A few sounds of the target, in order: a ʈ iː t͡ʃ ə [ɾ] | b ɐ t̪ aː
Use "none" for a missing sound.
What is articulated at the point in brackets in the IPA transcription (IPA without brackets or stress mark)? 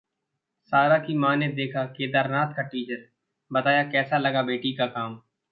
ɾ